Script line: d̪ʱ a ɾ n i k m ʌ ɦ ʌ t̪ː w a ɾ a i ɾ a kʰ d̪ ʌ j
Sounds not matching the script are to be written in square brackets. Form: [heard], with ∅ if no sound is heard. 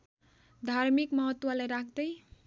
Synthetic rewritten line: d̪ʱ a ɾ [m] i k m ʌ ɦ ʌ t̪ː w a [l] a [j] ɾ a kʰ d̪ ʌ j